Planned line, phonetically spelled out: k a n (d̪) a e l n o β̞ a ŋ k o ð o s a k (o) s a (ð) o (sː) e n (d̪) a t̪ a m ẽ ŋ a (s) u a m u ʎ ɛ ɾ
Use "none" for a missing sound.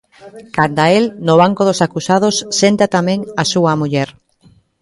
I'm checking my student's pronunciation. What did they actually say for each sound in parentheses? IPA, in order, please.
d̪, u, ð, sː, t̪, s

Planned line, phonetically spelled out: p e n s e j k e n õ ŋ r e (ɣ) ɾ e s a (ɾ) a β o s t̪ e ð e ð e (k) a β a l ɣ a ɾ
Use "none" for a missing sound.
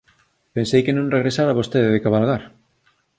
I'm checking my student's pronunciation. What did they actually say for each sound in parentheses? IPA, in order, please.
ɣ, ɾ, k

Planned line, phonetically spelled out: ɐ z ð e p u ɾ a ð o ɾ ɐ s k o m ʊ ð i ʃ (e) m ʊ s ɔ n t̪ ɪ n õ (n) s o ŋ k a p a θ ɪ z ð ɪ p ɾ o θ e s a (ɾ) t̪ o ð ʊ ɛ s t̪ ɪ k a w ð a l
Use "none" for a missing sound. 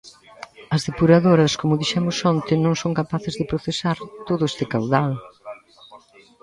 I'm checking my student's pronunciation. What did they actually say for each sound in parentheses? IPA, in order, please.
ɛ, ŋ, ɾ

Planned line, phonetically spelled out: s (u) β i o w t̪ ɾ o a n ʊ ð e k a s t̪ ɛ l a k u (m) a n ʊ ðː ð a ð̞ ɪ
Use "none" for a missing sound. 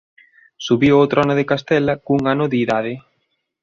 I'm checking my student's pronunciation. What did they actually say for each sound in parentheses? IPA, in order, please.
u, ŋ

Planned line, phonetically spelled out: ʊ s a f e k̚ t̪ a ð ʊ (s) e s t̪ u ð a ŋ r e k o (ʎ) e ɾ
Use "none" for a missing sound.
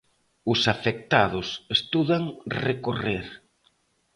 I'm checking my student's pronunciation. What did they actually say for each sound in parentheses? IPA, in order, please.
s, r

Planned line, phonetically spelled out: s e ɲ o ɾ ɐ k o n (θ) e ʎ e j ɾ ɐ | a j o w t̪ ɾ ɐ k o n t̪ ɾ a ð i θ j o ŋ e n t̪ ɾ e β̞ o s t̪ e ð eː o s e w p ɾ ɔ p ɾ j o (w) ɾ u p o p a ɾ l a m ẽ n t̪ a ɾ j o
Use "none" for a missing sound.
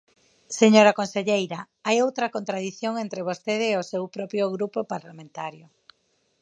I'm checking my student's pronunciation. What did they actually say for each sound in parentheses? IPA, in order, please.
s, ɣ

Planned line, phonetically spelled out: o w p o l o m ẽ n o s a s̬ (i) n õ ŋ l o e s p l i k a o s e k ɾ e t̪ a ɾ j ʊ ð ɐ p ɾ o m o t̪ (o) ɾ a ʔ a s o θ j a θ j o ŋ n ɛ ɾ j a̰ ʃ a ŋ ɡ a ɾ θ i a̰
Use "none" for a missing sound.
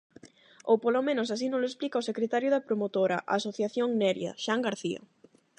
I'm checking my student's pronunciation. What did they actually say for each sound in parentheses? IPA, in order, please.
i, o

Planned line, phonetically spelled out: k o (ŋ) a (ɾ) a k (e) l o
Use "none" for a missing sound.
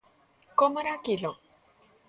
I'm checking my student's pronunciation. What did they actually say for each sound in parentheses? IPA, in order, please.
m, ɾ, i

